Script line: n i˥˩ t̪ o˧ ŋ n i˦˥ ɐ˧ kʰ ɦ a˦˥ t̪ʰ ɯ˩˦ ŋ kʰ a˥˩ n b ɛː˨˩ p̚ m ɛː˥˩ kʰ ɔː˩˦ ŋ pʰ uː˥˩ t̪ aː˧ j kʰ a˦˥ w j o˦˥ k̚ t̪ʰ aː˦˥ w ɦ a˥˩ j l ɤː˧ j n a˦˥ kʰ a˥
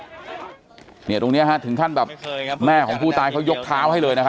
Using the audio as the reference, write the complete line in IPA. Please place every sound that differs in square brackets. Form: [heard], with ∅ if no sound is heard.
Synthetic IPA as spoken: n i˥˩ t̪ o˧ ŋ n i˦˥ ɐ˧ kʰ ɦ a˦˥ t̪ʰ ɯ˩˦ ŋ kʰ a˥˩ n b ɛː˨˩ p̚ m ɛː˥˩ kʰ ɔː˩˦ ŋ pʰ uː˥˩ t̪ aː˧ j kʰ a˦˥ w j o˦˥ k̚ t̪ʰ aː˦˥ w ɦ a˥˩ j l ɤː˧ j n a˦˥ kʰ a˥

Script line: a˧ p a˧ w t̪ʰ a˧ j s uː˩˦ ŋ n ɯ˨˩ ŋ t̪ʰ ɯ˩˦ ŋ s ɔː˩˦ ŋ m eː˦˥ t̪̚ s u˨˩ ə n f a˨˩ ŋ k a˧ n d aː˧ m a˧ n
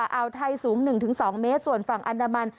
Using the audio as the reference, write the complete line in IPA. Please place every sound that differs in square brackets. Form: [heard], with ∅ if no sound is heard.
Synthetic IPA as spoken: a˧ [ʔ] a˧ w t̪ʰ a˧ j s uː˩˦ ŋ n ɯ˨˩ ŋ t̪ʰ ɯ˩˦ ŋ s ɔː˩˦ ŋ m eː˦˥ t̪̚ s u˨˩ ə n f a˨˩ ŋ [ʔ] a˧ n d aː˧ m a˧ n

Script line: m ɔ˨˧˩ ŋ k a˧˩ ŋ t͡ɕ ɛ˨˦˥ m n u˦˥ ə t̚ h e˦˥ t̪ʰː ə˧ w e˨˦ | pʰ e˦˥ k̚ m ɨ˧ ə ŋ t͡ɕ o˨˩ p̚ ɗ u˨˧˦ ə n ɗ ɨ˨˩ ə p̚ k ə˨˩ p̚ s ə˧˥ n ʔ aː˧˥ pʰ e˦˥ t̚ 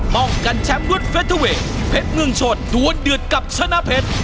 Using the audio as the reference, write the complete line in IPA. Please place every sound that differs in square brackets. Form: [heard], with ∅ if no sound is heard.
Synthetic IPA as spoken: m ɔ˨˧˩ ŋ k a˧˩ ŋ t͡ɕ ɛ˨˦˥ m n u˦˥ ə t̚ [f] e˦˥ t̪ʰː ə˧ w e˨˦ | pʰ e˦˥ [t̚] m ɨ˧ ə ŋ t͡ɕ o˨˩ [t̚] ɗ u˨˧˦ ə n ɗ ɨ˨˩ ə [t̚] k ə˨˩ p̚ s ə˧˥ n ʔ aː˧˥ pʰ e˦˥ t̚

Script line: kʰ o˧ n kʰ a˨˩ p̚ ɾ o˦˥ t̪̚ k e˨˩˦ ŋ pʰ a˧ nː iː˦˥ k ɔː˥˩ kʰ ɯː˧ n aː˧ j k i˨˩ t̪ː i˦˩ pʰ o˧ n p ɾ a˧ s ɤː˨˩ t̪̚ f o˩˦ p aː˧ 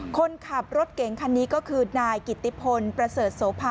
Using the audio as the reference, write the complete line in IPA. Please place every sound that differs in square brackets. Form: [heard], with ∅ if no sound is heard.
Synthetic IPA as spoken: kʰ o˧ n kʰ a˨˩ p̚ ɾ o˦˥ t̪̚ k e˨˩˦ ŋ [kʰ] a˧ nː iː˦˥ k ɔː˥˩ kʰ ɯː˧ n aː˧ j k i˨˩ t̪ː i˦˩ pʰ o˧ n p ɾ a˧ s ɤː˨˩ t̪̚ [s] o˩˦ [pʰ] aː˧

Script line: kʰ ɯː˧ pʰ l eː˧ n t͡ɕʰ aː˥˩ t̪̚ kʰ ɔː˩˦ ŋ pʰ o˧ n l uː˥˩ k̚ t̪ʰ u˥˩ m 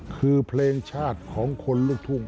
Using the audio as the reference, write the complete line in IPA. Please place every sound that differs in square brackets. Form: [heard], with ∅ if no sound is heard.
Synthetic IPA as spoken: kʰ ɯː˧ pʰ l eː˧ [ŋ] t͡ɕʰ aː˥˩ t̪̚ kʰ ɔː˩˦ ŋ [kʰ] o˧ n l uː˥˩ k̚ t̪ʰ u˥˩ [ŋ]

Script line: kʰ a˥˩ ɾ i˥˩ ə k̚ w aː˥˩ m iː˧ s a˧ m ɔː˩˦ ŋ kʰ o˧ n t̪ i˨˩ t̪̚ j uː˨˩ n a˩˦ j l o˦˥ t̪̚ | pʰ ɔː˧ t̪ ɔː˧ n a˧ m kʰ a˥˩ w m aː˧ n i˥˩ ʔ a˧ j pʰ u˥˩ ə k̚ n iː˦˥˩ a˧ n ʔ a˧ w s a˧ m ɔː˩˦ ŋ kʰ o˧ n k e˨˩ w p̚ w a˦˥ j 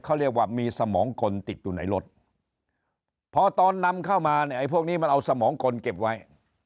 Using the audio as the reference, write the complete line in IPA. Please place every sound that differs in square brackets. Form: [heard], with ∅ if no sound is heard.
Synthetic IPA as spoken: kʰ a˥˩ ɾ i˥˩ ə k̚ w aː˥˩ m iː˧ s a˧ m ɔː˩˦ ŋ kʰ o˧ n t̪ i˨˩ t̪̚ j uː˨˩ n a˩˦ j l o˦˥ t̪̚ | pʰ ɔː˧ t̪ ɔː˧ [nː] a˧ m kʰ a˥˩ w m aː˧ n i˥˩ ʔ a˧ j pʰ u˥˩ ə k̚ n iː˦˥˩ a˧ n ʔ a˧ w s a˧ m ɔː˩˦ ŋ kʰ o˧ n k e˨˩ [∅] p̚ w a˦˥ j

